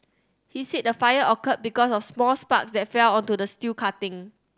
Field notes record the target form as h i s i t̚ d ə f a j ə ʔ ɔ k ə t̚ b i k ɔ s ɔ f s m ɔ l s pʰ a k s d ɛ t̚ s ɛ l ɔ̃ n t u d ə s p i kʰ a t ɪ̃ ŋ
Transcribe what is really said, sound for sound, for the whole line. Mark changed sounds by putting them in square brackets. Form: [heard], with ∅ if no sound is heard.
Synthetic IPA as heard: h i s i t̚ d ə f a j ə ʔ ɔ k ə t̚ b i k ɔ s ɔ f s m ɔ l s [p] a k s d ɛ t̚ [f] ɛ l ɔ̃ n t u d ə s [t] i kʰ a t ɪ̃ ŋ